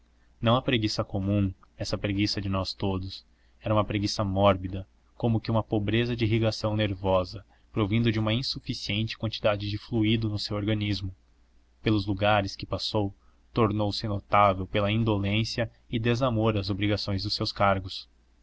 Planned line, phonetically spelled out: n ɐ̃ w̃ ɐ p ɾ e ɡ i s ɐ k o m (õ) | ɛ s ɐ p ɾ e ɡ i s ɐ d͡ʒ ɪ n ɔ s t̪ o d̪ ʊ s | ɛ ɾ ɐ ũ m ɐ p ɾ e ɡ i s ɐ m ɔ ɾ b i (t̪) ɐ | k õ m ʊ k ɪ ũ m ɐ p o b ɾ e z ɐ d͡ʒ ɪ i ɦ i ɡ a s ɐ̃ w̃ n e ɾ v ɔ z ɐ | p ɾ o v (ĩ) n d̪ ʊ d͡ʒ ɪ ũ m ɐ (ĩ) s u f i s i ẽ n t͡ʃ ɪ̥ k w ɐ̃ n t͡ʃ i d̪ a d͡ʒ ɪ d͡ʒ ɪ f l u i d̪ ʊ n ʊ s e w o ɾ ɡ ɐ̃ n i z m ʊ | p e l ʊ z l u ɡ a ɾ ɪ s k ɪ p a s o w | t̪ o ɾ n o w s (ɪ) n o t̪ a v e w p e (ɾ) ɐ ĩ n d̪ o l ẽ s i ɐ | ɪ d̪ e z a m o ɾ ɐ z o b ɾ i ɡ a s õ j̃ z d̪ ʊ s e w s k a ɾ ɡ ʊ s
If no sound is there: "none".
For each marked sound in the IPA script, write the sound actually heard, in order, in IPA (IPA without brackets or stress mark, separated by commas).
ũ, d̪, ĩ, ĩ, ɪ, l